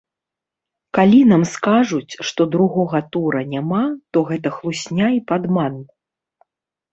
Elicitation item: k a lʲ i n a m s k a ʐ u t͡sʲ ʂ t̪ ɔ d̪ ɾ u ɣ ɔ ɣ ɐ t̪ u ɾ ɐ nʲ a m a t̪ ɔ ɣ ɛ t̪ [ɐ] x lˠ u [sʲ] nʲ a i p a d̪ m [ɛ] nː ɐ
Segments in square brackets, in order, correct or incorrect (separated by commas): correct, correct, incorrect